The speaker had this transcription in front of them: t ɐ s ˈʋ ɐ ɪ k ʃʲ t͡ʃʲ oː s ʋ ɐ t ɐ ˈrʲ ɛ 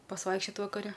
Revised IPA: p ɐ s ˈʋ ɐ ɪ k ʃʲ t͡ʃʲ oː t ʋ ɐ k ɐ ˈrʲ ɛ